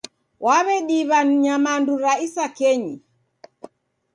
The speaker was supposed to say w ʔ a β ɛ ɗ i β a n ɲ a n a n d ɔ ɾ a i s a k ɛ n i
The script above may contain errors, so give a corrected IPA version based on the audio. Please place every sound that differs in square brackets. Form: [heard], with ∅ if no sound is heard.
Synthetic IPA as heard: w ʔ a β ɛ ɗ i β a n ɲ a [m] a n d [u] ɾ a i s a k ɛ [ɲ] i